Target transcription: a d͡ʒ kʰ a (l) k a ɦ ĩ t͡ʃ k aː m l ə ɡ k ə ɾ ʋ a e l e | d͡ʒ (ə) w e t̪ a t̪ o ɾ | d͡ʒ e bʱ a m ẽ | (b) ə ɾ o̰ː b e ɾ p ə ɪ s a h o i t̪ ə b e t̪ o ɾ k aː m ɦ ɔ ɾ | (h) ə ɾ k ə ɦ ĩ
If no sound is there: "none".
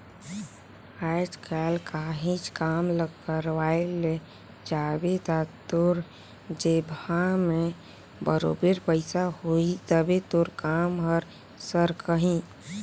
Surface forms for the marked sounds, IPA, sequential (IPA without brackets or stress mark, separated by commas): l, a, b, s